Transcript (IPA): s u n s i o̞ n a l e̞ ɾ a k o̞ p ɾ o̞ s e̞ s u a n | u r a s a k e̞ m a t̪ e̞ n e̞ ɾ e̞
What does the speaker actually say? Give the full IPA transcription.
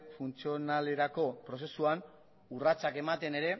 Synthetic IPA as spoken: f u n t͡s i o̞ n a l e̞ ɾ a k o̞ p ɾ o̞ s e̞ s u a n | u r a t͡s a k e̞ m a t̪ e̞ n e̞ ɾ e̞